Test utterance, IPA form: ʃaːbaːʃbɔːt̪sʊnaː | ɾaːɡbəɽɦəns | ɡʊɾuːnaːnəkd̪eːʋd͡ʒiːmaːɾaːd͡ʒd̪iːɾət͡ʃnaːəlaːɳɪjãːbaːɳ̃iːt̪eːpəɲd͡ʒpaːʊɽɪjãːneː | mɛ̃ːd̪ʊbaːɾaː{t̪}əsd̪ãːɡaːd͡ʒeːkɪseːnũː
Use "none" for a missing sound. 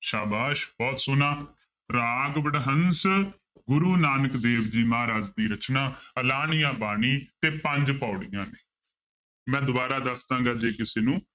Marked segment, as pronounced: d̪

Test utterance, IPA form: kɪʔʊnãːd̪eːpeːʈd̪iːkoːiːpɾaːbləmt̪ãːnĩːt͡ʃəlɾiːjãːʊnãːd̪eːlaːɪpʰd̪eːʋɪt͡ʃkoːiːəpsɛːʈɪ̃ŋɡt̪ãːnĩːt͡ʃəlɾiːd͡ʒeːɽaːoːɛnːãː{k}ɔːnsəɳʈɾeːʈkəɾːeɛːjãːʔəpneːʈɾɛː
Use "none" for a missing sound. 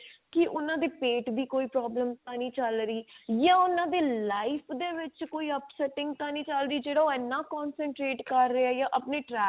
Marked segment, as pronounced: k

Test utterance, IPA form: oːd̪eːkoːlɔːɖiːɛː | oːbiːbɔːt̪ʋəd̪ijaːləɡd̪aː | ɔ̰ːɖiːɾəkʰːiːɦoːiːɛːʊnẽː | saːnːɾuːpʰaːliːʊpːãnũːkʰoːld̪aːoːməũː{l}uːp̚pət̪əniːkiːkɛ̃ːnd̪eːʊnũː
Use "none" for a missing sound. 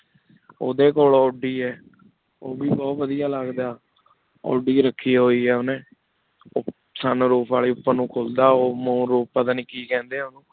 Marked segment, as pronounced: ɾ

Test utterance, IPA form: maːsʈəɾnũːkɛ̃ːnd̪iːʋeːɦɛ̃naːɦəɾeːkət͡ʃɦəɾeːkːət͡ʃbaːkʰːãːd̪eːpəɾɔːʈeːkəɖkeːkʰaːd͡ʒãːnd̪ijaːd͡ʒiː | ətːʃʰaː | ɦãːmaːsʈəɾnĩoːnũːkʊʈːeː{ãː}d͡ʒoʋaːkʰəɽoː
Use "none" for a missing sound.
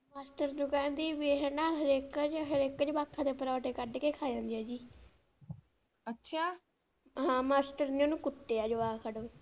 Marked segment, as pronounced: aː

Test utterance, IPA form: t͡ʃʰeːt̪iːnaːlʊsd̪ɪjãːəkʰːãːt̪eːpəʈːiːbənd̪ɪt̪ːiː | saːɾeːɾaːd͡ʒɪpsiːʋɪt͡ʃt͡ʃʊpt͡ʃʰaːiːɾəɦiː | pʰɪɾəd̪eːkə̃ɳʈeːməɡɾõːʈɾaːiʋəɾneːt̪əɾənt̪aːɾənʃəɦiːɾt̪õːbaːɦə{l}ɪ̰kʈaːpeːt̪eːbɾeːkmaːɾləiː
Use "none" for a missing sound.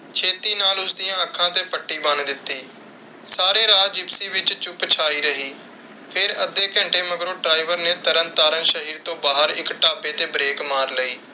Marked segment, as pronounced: ɾ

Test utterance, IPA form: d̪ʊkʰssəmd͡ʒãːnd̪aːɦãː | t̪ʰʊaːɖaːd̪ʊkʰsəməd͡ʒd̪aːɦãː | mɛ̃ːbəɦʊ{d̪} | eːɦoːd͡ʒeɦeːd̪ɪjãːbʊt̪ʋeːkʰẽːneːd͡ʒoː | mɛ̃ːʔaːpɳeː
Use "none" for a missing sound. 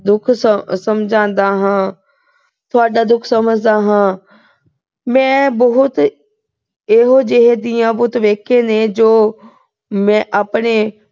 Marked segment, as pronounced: t̪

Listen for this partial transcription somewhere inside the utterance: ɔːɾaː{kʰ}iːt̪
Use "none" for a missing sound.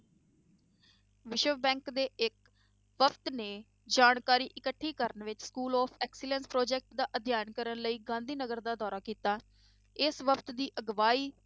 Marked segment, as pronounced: k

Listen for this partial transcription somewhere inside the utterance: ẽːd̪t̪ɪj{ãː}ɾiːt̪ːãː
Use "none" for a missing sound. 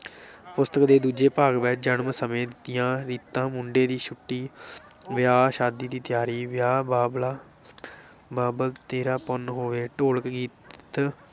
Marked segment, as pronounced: ãː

